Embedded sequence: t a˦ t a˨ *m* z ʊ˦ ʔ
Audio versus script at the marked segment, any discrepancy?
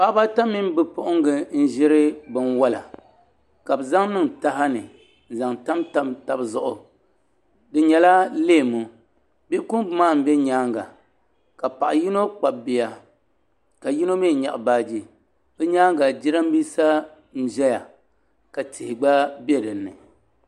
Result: yes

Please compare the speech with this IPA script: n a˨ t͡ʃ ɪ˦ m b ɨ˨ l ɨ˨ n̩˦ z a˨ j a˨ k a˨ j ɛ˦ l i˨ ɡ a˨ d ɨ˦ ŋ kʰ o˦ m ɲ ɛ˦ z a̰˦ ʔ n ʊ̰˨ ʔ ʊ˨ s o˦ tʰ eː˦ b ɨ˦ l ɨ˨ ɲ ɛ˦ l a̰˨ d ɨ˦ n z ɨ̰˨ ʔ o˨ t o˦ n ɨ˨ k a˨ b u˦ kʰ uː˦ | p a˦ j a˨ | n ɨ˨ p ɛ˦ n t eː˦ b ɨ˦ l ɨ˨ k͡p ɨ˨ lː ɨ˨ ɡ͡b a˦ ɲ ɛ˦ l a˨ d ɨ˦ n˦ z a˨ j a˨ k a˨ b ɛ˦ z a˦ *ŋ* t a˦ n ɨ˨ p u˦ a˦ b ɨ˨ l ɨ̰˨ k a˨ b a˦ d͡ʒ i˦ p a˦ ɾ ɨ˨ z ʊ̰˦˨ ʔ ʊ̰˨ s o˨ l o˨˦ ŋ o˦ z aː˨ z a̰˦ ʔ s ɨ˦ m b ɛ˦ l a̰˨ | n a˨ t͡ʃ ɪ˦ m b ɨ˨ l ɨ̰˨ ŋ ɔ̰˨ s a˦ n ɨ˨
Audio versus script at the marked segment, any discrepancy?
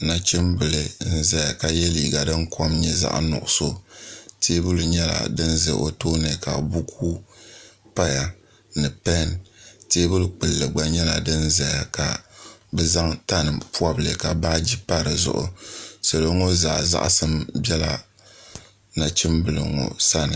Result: no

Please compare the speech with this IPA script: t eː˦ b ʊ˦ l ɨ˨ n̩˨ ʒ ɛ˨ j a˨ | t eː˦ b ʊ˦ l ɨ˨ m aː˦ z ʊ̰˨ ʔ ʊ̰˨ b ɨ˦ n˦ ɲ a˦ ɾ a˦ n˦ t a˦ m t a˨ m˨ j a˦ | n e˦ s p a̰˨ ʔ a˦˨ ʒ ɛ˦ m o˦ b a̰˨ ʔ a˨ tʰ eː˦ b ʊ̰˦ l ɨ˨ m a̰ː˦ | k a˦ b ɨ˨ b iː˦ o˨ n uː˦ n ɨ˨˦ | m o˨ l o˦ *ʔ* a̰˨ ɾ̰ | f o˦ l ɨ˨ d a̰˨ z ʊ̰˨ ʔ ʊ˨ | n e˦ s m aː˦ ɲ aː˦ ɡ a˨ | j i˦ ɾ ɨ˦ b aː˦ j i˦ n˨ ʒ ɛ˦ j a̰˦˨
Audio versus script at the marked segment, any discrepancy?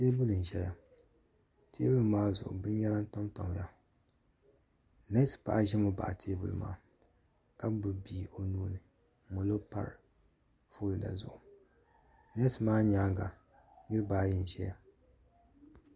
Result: yes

